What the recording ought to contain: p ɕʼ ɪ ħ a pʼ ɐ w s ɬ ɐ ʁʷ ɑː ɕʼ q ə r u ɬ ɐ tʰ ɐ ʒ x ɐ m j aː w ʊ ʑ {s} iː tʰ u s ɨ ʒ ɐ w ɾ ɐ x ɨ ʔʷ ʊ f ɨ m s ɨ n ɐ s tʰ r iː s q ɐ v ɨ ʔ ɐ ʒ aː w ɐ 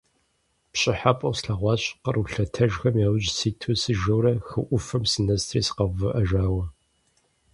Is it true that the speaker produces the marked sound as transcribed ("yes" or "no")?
yes